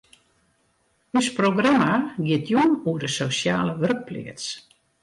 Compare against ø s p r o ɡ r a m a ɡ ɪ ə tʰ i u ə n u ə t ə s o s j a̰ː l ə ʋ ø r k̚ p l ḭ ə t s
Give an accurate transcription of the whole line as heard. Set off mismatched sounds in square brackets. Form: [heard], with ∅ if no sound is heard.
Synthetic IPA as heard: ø s p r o ɡ r a m a ɡ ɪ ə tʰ [j] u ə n u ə [d] ə s o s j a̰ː l ə ʋ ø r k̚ p l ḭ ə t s

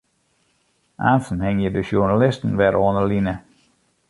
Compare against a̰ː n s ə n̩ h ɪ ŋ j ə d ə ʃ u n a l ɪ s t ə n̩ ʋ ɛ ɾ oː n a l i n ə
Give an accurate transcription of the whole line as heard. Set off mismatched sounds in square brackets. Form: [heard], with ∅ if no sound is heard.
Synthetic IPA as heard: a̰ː n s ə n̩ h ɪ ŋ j ə d ə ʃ u n a l ɪ s t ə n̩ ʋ ɛ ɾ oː n [ə] l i n ə

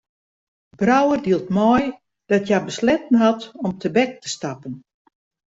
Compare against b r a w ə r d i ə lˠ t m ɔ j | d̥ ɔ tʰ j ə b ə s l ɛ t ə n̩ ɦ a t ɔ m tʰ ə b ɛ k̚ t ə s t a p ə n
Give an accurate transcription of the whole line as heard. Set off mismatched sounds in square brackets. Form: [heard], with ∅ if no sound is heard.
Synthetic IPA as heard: b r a w ə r d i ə lˠ t m ɔ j | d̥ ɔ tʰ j [a] b ə s l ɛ t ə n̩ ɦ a t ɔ m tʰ ə b ɛ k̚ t ə s t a p ə n

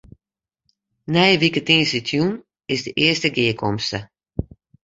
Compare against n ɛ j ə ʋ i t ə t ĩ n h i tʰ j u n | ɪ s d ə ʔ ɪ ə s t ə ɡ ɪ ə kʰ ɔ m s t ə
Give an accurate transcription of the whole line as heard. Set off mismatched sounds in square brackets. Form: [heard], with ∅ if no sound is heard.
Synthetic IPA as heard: n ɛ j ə ʋ i [k] ə t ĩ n [s] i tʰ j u n | ɪ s d ə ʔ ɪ ə s t ə ɡ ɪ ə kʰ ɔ m s t ə

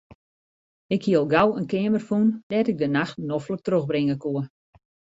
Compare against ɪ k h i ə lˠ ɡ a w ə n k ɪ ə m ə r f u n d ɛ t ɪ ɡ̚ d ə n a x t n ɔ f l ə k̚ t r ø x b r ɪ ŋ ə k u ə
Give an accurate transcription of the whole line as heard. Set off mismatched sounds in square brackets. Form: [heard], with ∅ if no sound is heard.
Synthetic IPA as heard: ɪ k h i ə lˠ ɡ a w ə n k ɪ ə m ə r f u n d ɛ t ɪ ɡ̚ d ə n a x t n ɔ f l ə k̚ t r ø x b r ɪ ŋ ə k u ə

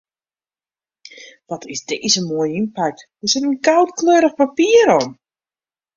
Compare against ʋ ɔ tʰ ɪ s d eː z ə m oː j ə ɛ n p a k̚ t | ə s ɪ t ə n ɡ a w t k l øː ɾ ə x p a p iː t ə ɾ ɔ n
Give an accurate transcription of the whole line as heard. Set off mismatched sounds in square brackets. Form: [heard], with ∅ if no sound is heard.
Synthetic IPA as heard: ʋ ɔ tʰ ɪ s d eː z ə m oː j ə [i] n p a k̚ t | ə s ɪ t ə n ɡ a w t k l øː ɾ ə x p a p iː [∅] ə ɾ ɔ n

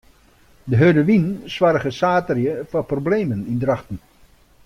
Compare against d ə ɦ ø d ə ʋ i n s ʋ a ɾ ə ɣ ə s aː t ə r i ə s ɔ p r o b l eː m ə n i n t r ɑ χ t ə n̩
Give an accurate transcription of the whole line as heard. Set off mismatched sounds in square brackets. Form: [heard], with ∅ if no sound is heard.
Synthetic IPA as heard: d ə ɦ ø d ə ʋ i n s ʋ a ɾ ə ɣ ə s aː t ə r [j] ə [f] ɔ p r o b l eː m ə n i n [d] r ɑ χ t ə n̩

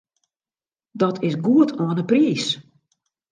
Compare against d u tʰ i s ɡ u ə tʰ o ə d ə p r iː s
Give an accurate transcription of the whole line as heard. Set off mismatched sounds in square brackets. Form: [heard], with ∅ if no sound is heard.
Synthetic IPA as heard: d [ɔ] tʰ [ɪ] s ɡ u ə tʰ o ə [n] ə p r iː s

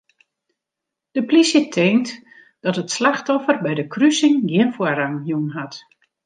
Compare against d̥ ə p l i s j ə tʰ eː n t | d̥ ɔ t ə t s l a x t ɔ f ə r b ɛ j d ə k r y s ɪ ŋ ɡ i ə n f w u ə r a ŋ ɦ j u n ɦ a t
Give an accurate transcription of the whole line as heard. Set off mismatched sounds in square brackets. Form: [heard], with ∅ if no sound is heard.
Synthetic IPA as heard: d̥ ə p l i s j ə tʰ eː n t | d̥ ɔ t ə t s l a x t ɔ f ə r b ɛ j d ə k r y s ɪ ŋ ɡ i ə n f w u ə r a ŋ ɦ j u n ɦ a t

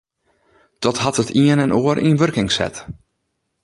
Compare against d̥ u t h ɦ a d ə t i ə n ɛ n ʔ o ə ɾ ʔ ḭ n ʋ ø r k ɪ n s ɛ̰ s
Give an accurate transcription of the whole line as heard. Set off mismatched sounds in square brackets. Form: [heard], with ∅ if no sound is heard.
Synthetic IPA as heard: d̥ [ɔ] t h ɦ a [t] ə t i ə n ɛ n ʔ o ə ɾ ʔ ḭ n ʋ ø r k ɪ [ŋ] s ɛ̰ [t]

